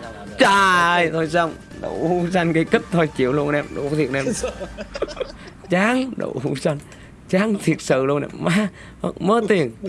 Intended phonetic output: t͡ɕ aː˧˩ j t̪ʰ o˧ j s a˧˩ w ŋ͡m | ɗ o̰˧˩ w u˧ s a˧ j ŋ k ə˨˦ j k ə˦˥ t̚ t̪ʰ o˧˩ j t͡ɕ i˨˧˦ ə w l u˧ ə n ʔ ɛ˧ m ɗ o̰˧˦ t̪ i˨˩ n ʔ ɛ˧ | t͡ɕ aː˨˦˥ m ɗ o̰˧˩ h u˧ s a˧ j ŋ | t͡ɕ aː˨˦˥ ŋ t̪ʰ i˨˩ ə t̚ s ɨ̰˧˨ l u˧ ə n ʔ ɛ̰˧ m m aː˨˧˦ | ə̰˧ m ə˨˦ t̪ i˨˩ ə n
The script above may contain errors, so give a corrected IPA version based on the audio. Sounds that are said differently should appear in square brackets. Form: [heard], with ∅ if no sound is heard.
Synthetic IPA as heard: t͡ɕ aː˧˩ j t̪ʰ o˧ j s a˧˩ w ŋ͡m | ɗ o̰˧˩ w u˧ s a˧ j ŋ k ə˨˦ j k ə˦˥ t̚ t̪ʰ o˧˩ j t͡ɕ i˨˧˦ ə w l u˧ ə n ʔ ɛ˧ m ɗ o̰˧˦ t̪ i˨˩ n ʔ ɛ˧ | t͡ɕ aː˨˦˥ [ŋ] ɗ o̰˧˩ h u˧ s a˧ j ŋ | t͡ɕ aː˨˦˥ ŋ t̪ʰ i˨˩ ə t̚ s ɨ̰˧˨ l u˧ ə n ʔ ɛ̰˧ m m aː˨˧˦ | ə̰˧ m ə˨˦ t̪ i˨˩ ə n

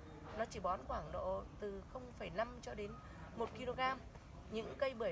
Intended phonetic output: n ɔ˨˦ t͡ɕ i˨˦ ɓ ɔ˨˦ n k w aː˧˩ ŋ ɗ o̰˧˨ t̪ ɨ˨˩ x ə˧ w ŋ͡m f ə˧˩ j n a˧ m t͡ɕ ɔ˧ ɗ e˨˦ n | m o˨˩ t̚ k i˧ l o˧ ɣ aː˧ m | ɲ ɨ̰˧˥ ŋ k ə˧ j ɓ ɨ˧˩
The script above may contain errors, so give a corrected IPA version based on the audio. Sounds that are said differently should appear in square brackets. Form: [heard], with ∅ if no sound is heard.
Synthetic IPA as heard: n ɔ˨˦ t͡ɕ [i˧˩] ɓ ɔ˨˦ n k w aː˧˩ ŋ ɗ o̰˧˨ t̪ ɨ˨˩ x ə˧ w ŋ͡m f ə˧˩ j n a˧ m t͡ɕ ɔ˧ ɗ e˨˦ n | m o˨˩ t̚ k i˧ l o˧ ɣ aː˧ m | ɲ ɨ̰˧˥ ŋ k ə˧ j ɓ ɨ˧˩

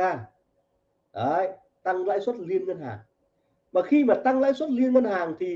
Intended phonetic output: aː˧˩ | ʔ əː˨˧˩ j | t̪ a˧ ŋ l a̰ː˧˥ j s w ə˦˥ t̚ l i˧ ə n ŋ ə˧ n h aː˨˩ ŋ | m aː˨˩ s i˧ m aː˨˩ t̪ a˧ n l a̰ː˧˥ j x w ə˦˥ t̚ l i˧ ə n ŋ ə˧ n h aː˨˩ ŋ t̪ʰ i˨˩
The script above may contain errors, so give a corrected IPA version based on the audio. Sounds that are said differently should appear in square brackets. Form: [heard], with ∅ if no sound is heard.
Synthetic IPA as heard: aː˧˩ | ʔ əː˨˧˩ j | t̪ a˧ ŋ l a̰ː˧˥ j s w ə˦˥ t̚ l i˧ ə n ŋ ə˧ n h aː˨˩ ŋ | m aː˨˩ [x] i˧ m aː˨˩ t̪ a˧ [ŋ] l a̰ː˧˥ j [s] w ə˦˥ t̚ l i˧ ə n ŋ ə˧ n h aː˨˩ ŋ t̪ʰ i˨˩

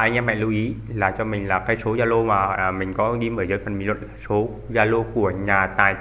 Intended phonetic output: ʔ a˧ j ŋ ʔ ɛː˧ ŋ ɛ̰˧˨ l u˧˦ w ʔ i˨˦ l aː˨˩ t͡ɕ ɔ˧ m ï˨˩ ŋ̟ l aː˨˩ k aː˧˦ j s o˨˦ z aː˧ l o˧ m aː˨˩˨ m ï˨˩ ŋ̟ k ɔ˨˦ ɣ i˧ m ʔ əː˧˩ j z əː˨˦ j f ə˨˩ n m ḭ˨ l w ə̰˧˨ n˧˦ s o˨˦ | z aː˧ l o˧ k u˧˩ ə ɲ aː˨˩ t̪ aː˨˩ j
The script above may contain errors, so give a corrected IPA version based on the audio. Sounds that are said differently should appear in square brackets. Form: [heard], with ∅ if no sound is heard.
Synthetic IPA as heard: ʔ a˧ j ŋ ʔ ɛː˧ [m] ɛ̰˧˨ l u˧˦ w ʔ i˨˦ l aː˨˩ t͡ɕ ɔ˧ m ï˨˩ ŋ̟ l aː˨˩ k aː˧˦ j s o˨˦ z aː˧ l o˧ m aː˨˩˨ m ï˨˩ ŋ̟ k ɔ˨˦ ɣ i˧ m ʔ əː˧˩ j z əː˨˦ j f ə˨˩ n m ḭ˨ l w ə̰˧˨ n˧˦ s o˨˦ | z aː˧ l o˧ k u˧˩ ə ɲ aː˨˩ t̪ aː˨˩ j

